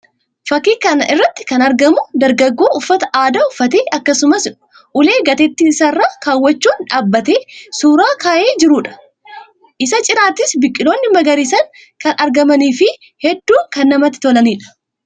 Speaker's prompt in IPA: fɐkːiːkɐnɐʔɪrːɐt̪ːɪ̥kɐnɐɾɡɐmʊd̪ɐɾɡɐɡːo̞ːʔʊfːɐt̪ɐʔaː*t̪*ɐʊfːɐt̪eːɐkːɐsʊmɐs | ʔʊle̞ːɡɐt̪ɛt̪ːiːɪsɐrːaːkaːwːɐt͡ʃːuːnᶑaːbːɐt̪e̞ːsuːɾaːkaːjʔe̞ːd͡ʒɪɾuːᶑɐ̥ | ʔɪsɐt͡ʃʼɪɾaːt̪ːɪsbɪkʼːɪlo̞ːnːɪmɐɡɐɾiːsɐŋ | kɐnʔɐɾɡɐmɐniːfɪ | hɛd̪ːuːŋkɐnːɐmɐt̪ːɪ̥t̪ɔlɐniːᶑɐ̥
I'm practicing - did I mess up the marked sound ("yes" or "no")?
yes